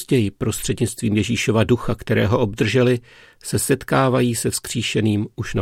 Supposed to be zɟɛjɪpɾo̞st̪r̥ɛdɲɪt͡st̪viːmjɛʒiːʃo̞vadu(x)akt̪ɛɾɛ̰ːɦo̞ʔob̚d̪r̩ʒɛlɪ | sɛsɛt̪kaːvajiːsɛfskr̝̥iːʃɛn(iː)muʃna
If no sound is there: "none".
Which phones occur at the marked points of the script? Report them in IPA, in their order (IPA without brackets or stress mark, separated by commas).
x, iː